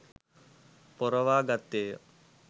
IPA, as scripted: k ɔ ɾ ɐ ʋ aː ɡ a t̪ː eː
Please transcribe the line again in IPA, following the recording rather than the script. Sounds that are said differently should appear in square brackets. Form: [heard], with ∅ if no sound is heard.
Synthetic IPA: [p] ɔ ɾ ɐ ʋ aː ɡ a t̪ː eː